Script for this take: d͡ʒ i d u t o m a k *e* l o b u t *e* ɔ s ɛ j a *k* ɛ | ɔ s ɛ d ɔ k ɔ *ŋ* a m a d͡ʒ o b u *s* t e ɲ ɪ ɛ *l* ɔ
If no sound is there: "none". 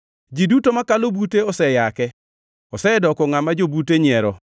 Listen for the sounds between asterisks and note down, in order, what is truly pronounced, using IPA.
a, e, k, ŋ, none, ɾ

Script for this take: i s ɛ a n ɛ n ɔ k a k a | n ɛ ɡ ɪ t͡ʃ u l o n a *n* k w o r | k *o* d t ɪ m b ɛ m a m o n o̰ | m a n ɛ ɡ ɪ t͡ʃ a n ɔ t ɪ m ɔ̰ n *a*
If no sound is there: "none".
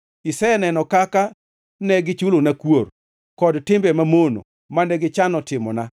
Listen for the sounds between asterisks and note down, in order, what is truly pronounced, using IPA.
none, ɔ, a

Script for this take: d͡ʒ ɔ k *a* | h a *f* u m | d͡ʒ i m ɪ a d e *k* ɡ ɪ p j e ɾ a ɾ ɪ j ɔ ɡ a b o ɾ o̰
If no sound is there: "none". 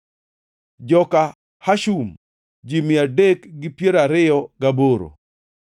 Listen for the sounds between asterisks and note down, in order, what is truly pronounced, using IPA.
a, ʃ, k

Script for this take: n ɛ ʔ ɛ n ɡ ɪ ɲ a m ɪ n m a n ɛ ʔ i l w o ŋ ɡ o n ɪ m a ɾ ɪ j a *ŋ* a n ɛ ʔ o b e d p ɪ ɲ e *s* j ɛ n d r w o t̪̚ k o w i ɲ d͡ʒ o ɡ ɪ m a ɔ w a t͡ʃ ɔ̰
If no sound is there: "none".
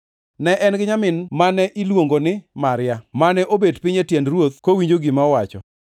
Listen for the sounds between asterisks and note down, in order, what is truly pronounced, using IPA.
m, t

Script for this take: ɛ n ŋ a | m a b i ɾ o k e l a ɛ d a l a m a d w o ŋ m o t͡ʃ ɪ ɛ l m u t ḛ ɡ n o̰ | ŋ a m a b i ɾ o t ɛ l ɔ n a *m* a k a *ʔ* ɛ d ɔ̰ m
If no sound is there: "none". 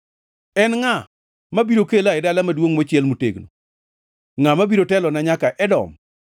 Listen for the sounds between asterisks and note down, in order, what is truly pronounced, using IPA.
ɲ, ʔ

